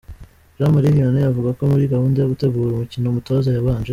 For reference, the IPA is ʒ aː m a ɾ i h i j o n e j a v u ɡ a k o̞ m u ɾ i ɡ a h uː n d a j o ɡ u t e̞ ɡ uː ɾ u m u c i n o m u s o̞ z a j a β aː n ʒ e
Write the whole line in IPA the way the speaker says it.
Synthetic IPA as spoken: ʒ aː m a ɾ i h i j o n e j a v u ɡ a k o̞ m u ɾ i ɡ a h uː n d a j o ɡ u t e̞ ɡ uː ɾ u m u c i n o m u t o̞ z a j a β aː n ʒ e